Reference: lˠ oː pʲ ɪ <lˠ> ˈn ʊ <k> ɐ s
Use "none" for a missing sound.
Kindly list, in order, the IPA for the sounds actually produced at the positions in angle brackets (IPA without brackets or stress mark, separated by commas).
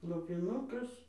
none, k